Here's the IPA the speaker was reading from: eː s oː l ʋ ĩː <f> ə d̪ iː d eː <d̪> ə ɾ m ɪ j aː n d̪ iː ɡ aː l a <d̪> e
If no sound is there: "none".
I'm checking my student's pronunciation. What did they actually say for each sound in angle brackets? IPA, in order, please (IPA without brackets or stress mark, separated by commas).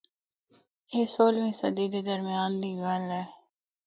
s, d̪, none